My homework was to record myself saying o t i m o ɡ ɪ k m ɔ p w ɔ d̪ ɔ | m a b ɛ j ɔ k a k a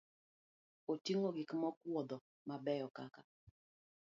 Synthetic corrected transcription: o t i ŋ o ɡ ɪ k m ɔ k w ɔ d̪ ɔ | m a b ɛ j ɔ k a k a